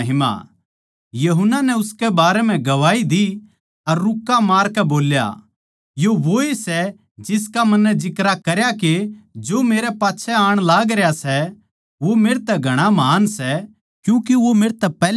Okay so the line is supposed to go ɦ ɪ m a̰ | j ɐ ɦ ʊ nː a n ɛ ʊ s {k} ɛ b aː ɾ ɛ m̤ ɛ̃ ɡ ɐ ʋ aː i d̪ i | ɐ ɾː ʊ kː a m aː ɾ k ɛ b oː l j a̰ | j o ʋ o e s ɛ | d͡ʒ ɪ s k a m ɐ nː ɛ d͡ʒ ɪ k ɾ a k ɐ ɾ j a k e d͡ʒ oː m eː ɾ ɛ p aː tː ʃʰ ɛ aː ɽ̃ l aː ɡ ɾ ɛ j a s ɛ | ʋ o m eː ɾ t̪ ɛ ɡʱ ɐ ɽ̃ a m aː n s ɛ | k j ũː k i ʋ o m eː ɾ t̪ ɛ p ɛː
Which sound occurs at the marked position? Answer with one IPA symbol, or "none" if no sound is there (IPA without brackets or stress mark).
k